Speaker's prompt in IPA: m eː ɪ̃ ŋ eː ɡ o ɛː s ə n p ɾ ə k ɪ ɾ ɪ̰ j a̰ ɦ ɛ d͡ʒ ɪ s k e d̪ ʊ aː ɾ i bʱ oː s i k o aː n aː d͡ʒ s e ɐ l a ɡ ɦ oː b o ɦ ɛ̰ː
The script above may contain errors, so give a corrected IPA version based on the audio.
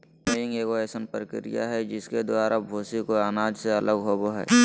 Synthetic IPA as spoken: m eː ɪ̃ ŋ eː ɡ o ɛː s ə n p ɾ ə k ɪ ɾ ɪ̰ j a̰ ɦ ɛ d͡ʒ ɪ s k e d̪ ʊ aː ɾ a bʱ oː s i k o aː n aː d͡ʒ s e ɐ l ə ɡ ɦ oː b o ɦ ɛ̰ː

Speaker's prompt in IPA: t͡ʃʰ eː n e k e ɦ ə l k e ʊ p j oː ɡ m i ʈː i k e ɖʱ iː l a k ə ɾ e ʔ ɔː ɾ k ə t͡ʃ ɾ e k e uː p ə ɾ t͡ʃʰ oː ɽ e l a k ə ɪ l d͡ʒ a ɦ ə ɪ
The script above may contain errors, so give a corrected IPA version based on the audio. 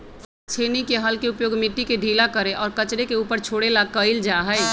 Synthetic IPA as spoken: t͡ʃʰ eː n i k e ɦ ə l k e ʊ p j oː ɡ m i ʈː i k e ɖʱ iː l a k ə ɾ e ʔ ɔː ɾ k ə t͡ʃ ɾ e k e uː p ə ɾ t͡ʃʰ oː ɽ e l a k ə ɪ l d͡ʒ a ɦ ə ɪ

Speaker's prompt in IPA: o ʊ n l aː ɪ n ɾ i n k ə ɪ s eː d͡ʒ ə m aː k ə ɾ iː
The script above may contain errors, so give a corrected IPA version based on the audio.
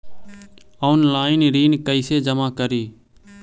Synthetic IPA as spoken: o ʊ n l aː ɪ n ɾ iː n k ə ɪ s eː d͡ʒ ə m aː k ə ɾ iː

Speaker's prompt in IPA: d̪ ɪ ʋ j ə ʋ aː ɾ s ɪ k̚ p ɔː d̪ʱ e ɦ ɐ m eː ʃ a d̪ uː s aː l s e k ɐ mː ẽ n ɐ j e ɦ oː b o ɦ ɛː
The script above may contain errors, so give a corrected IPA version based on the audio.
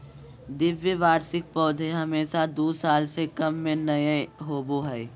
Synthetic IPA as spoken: d̪ ɪ ʋ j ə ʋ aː ɾ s ɪ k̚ p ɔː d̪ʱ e ɦ ɐ m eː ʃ a d̪ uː s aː l s e k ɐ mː ẽ n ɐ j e ɦ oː b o ɦ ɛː

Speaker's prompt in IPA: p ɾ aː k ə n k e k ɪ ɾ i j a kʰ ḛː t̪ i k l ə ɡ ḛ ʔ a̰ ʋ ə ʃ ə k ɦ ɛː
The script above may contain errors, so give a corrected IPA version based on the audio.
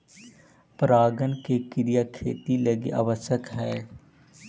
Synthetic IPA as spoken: p ɾ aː ɡ ə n k e k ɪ ɾ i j a kʰ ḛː t̪ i l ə ɡ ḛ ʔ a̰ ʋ ə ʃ ə k ɦ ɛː

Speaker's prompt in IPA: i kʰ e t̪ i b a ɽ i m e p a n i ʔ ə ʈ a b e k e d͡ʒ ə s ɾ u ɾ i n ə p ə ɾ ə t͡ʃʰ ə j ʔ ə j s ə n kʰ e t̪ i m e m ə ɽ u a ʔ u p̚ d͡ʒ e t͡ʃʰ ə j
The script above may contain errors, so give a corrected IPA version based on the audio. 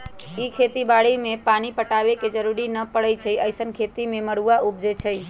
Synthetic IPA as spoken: i kʰ e t̪ i b a ɽ i m e p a n i p ə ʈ a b e k e d͡ʒ ə ɾ u ɾ i n ə p ə ɽ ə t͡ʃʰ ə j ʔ ə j s ə n kʰ e t̪ i m e m ə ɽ u a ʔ u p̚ d͡ʒ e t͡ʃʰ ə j

